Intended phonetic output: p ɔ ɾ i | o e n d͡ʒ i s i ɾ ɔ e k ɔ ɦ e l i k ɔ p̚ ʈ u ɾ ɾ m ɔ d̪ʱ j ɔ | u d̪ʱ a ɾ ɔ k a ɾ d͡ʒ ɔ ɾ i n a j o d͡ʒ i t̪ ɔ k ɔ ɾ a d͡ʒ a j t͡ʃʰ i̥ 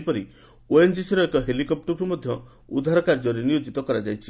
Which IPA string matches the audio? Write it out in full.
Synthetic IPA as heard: p ɔ ɾ i | o e n d͡ʒ i s i ɾ ɔ e k ɔ ɦ e l i k ɔ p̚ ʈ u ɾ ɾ m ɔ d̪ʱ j ɔ | u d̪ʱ a ɾ ɔ k a ɾ d͡ʒ ɔ ɾ i n i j o d͡ʒ i t̪ ɔ k ɔ ɾ a d͡ʒ a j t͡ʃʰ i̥